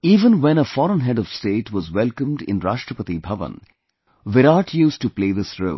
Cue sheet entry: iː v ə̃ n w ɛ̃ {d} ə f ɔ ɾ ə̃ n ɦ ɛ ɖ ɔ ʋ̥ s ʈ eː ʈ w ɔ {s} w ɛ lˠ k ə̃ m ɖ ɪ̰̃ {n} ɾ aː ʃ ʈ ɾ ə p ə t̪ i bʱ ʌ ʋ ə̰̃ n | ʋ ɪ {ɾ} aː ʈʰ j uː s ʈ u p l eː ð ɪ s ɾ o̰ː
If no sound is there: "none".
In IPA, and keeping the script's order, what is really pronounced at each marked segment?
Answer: n, z, n, ɾ

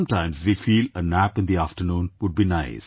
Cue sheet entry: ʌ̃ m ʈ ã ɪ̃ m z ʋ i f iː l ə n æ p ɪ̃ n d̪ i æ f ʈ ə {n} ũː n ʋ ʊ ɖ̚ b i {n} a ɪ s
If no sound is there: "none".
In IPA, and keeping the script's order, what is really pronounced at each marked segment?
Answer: n, n

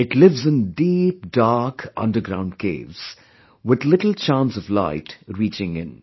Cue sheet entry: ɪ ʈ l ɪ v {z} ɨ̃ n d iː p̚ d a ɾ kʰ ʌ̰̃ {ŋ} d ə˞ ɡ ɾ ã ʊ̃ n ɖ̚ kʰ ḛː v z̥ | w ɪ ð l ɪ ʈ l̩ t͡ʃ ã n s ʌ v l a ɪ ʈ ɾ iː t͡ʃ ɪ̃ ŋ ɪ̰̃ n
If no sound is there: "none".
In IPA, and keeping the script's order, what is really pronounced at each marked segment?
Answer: z, n

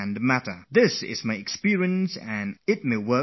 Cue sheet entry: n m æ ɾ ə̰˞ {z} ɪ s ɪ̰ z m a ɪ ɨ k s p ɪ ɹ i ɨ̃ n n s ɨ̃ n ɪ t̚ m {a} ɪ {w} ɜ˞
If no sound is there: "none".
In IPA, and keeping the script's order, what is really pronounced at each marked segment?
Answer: ð, e, w

